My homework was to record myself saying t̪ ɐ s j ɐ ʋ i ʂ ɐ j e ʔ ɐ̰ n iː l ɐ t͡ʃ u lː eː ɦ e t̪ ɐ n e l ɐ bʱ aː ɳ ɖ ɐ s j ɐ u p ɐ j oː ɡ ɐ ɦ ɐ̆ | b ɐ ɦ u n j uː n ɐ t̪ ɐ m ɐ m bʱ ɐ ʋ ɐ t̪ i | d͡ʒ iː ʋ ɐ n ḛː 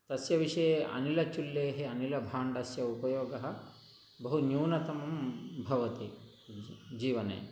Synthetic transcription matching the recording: t̪ ɐ s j ɐ ʋ i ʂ ɐ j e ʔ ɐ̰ n i l ɐ t͡ʃ u lː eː ɦ e ɐ n i l ɐ bʱ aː ɳ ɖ ɐ s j ɐ u p ɐ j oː ɡ ɐ ɦ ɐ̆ | b ɐ ɦ u n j uː n ɐ t̪ ɐ m ɐ m bʱ ɐ ʋ ɐ t̪ i | d͡ʒ iː ʋ ɐ n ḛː

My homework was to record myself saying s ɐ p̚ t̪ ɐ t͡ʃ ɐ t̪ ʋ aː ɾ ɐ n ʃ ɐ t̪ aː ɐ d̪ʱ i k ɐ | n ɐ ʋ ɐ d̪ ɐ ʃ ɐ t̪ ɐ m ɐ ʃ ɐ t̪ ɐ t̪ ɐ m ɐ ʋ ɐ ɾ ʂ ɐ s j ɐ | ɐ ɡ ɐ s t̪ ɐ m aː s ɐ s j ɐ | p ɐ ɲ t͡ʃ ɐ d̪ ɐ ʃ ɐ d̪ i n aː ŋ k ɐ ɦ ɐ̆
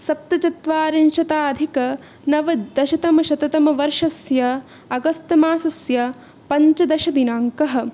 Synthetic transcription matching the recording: s ɐ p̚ t̪ ɐ t͡ʃ ɐ t̪ ʋ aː ɾ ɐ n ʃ ɐ t̪ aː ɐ d̪ʱ i k ɐ | n ɐ ʋ ɐ d̪ ɐ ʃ ɐ t̪ ɐ m ɐ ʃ ɐ t̪ ɐ t̪ ɐ m ɐ ʋ ɐ ɾ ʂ ɐ s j ɐ | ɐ ɡ ɐ s t̪ ɐ m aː s ɐ s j ɐ | p ɐ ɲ t͡ʃ ɐ d̪ ɐ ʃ ɐ d̪ i n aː ŋ k ɐ ɦ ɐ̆

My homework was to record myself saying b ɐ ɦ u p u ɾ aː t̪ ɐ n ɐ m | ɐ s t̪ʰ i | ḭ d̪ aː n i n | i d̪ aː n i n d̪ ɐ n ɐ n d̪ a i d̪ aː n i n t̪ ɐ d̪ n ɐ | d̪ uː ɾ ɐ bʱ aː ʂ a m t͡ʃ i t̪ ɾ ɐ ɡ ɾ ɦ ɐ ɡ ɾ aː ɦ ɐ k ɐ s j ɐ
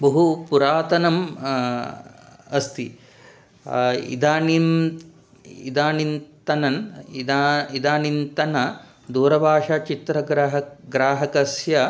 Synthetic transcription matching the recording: b ɐ ɦ u p u ɾ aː t̪ ɐ n ɐ m | ɐ s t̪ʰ i | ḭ d̪ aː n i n | i d̪ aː n i n t̪ ɐ n ɐ n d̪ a i d̪ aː n i n t̪ ɐ n ɐ | d̪ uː ɾ ɐ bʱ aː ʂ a t͡ʃ i t̪ ɾ ɐ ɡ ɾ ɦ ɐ ɡ ɾ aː ɦ ɐ k ɐ s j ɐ

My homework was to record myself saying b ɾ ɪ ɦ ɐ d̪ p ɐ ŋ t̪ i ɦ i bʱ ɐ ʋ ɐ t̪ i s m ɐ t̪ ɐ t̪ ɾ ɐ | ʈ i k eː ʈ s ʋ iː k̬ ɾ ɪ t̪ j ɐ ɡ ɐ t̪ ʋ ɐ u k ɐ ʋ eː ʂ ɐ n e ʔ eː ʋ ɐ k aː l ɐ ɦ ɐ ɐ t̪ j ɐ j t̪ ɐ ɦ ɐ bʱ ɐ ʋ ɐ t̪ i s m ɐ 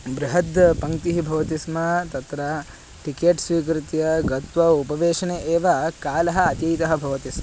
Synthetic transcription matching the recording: b ɾ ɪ ɦ ɐ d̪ p ɐ ŋ t̪ i ɦ i bʱ ɐ ʋ ɐ t̪ i s m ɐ t̪ ɐ t̪ ɾ ɐ | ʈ i k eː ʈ s ʋ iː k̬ ɾ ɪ t̪ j ɐ ɡ ɐ t̪ ʋ ɐ u p ɐ ʋ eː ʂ ɐ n e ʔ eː ʋ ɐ k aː l ɐ ɦ ɐ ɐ t̪ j ɐ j t̪ ɐ ɦ ɐ bʱ ɐ ʋ ɐ t̪ i s m ɐ

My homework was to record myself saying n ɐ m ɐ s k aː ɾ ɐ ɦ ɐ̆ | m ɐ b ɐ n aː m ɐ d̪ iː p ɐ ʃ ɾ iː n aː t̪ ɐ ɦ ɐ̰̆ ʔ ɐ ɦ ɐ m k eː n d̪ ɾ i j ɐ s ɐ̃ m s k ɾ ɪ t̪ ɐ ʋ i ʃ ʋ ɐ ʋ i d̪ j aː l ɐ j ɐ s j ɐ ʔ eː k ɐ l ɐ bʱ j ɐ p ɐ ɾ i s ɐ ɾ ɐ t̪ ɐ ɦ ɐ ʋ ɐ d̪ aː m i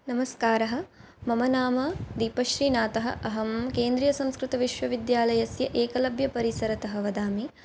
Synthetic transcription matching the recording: n ɐ m ɐ s k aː ɾ ɐ ɦ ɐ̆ | m ɐ m ɐ n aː m ɐ d̪ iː p ɐ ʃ ɾ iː n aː t̪ ɐ ɦ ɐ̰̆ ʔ ɐ ɦ ɐ m k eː n d̪ ɾ i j ɐ s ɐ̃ m s k ɾ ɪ t̪ ɐ ʋ i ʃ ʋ ɐ ʋ i d̪ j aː l ɐ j ɐ s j ɐ ʔ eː k ɐ l ɐ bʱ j ɐ p ɐ ɾ i s ɐ ɾ ɐ t̪ ɐ ɦ ɐ ʋ ɐ d̪ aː m i

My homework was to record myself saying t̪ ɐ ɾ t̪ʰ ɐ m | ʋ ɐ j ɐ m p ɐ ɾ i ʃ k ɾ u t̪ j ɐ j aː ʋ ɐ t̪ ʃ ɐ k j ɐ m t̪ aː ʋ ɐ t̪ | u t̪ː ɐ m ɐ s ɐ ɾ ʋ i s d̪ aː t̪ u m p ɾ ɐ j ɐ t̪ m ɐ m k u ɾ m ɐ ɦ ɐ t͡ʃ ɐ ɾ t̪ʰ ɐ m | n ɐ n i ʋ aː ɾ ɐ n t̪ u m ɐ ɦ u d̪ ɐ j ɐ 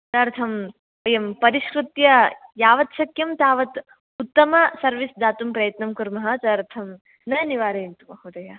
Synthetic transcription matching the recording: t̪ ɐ ɾ t̪ʰ ɐ m | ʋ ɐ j ɐ m p ɐ ɾ i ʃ k ɾ u t̪ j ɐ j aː ʋ ɐ t̪ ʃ ɐ k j ɐ m t̪ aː ʋ ɐ t̪ | u t̪ː ɐ m ɐ s ɐ ɾ ʋ i s d̪ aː t̪ u m p ɾ ɐ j ɐ t̪ n ɐ m k u ɾ m ɐ ɦ ɐ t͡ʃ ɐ ɾ t̪ʰ ɐ m | n ɐ n i ʋ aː ɾ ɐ n t̪ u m ɐ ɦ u d̪ ɐ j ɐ

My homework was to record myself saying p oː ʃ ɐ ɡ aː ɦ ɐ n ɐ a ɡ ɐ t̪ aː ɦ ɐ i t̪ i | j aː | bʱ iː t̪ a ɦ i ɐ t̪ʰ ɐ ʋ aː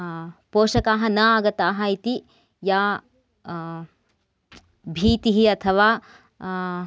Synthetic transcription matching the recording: p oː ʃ ɐ k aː ɦ ɐ n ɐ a ɡ ɐ t̪ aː ɦ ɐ i t̪ i | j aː | bʱ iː t̪ i ɦ i ɐ t̪ʰ ɐ ʋ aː

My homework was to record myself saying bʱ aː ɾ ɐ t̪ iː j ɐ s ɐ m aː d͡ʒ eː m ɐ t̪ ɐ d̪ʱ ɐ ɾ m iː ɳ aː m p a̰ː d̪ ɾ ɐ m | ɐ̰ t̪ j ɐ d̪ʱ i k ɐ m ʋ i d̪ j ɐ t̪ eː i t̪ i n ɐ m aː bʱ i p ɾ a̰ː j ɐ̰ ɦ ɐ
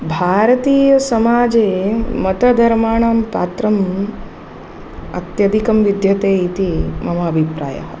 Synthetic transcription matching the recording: bʱ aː ɾ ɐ t̪ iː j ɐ s ɐ m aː d͡ʒ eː m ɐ t̪ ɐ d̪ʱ ɐ ɾ m aː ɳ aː m p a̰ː t̪ ɾ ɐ m | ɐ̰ t̪ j ɐ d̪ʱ i k ɐ m ʋ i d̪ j ɐ t̪ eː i t̪ i m ɐ m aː bʱ i p ɾ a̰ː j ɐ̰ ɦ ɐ

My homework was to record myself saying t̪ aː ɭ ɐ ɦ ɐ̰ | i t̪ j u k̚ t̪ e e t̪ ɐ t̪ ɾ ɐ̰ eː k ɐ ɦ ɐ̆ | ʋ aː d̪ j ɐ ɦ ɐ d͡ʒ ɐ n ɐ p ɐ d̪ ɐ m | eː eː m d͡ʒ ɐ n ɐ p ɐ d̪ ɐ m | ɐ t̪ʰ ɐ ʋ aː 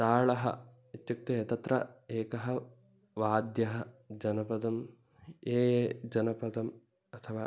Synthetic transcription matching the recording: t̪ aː ɭ ɐ ɦ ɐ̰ | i t̪ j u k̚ t̪ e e t̪ ɐ t̪ ɾ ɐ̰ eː k ɐ ɦ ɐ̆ | ʋ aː d̪ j ɐ ɦ ɐ d͡ʒ ɐ n ɐ p ɐ d̪ ɐ m | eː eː d͡ʒ ɐ n ɐ p ɐ d̪ ɐ m | ɐ t̪ʰ ɐ ʋ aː

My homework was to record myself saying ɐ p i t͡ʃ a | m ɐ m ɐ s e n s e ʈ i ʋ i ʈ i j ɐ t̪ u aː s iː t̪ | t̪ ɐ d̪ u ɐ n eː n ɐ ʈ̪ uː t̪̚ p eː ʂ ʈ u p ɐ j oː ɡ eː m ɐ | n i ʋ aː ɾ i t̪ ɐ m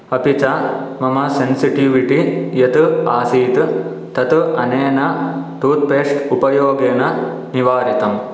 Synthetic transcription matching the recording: ɐ p i t͡ʃ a | m ɐ m ɐ s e n s i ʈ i ʋ i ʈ i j ɐ t̪ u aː s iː t̪ | t̪ ɐ t̪ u ɐ n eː n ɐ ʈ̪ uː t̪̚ p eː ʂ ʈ u p ɐ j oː ɡ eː n ɐ | n i ʋ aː ɾ i t̪ ɐ m

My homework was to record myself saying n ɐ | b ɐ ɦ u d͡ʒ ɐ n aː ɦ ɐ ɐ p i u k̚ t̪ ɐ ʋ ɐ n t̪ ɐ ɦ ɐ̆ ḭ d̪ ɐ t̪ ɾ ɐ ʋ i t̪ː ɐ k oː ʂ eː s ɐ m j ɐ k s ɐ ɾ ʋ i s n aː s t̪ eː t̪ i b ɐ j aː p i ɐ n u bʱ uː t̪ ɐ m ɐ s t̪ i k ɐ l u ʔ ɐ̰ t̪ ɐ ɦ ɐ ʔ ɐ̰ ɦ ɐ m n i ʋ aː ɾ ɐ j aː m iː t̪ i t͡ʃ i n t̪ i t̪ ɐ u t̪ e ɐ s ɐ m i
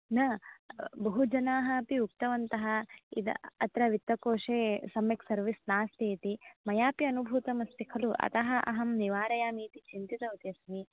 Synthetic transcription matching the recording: n ɐ | b ɐ ɦ u d͡ʒ ɐ n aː ɦ ɐ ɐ p i u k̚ t̪ ɐ ʋ ɐ n t̪ ɐ ɦ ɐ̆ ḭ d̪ ɐ t̪ ɾ ɐ ʋ i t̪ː ɐ k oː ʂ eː s ɐ m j ɐ k s ɐ ɾ ʋ i s n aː s t̪ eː t̪ i m ɐ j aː p i ɐ n u bʱ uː t̪ ɐ m ɐ s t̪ i kʰ ɐ l u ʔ ɐ̰ t̪ ɐ ɦ ɐ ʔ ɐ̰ ɦ ɐ m n i ʋ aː ɾ ɐ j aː m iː t̪ i t͡ʃ i n t̪ i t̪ ɐ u t̪ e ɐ s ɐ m i

